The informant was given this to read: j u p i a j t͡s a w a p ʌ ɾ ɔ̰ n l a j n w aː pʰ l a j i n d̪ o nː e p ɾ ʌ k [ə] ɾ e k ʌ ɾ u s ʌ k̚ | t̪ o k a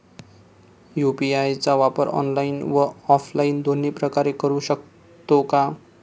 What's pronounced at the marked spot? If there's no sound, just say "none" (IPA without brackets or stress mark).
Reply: a